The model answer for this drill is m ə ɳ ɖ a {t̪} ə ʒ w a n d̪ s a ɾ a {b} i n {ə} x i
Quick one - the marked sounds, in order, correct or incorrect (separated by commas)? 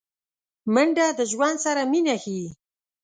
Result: incorrect, incorrect, incorrect